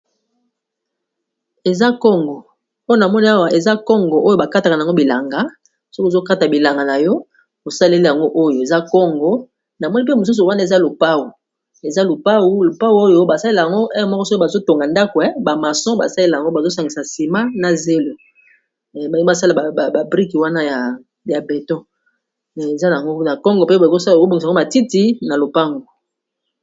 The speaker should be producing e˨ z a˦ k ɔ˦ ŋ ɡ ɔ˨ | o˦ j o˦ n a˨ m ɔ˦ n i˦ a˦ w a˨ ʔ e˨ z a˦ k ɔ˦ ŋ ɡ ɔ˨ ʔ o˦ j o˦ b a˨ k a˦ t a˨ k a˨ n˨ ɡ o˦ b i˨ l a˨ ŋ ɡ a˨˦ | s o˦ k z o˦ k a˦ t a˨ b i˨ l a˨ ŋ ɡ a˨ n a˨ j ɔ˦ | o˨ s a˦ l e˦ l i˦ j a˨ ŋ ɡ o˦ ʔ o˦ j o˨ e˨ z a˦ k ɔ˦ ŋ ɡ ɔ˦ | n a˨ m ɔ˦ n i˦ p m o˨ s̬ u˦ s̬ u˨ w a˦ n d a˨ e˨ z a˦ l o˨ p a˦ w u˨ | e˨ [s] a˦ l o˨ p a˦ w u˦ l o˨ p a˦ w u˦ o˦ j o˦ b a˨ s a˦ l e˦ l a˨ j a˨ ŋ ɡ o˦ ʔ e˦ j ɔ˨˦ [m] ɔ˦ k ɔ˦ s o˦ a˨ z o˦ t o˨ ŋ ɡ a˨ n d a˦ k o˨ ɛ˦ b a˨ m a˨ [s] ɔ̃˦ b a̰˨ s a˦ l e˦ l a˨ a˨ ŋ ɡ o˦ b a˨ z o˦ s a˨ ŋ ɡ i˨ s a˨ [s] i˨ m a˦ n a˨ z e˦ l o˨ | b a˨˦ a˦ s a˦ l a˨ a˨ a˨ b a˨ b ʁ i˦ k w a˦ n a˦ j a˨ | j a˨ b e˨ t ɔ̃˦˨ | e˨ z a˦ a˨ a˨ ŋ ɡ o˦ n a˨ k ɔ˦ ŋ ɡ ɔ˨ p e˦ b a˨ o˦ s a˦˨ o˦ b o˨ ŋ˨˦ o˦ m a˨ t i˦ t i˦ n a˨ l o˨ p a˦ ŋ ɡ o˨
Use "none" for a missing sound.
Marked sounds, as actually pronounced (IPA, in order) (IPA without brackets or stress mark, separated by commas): z, m, s, s